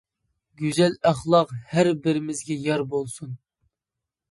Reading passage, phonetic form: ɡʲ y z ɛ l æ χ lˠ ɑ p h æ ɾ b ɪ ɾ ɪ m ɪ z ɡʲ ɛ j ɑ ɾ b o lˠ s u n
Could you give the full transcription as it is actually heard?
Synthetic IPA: ɡʲ y z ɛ l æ χ lˠ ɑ q h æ ɾ b ɪ ɾ ɪ m ɪ z ɡʲ ɛ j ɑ ɾ b o lˠ s u n